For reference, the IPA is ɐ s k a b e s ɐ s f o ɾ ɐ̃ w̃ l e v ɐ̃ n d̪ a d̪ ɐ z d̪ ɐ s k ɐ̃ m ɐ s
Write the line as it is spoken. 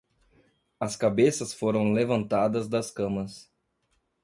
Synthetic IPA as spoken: ɐ s k a b e s ɐ s f o ɾ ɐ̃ w̃ l e v ɐ̃ n t̪ a d̪ ɐ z d̪ ɐ s k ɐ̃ m ɐ s